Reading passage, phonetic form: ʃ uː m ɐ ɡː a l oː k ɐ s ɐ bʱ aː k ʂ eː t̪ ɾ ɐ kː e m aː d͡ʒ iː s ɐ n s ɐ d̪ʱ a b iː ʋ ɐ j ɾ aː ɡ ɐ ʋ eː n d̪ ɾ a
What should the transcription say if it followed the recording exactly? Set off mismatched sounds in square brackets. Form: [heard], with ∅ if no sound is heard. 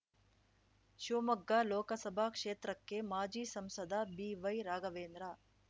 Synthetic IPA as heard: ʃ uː m ɐ ɡː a l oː k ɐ s ɐ bʱ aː k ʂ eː t̪ ɾ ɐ kː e m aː d͡ʒ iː s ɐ [m] s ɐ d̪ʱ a b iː ʋ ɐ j ɾ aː ɡ ɐ ʋ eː n d̪ ɾ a